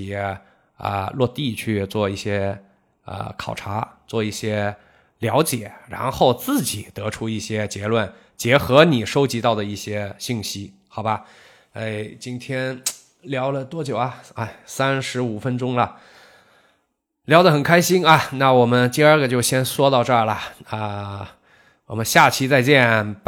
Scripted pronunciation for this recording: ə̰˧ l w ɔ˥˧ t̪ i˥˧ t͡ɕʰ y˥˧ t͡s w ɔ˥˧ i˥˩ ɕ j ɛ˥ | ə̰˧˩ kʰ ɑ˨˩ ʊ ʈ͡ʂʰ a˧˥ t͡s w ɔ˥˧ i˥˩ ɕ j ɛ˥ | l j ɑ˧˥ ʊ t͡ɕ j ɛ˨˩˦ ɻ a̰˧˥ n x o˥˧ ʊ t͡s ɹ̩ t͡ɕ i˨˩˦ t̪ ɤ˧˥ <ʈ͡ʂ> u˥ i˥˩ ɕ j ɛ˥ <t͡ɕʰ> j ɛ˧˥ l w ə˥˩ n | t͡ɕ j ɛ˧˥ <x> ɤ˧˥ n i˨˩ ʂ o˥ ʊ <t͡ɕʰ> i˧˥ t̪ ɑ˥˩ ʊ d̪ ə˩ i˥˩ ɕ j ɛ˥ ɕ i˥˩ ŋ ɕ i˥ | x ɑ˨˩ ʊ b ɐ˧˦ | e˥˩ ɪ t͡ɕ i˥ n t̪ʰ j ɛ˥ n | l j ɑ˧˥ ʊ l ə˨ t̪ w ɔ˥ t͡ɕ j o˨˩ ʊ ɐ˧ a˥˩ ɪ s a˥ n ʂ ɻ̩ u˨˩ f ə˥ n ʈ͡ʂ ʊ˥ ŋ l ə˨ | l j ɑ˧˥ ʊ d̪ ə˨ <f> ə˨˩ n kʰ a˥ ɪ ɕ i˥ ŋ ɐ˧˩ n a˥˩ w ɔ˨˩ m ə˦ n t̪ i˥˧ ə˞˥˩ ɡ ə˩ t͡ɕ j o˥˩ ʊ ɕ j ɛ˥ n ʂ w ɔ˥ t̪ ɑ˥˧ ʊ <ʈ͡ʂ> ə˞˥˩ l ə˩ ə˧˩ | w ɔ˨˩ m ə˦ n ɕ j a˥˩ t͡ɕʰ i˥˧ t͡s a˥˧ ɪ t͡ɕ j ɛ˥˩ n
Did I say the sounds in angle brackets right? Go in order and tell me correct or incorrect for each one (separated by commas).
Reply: incorrect, incorrect, correct, incorrect, incorrect, correct